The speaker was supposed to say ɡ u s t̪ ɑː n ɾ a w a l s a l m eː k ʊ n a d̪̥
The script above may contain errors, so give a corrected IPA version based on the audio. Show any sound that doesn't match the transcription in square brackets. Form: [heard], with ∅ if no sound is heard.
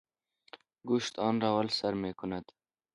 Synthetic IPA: ɡ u [ʃ] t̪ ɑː n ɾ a w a l s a [ɾ] m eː k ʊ n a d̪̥